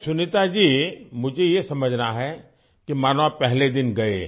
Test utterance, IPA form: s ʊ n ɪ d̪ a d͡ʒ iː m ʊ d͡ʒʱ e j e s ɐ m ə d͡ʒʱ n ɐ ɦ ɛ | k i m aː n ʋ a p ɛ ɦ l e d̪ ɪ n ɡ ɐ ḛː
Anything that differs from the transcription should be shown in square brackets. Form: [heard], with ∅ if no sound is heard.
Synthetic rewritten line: s ʊ n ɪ [t̪] a d͡ʒ iː m ʊ d͡ʒʱ e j e s ɐ m ə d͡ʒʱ n [a] ɦ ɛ | k i m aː n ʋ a p ɛ ɦ l e d̪ ɪ n ɡ ɐ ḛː